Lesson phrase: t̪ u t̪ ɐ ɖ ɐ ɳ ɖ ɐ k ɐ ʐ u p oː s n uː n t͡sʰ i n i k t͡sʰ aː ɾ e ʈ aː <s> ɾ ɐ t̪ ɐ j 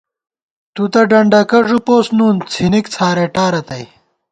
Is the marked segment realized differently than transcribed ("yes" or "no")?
yes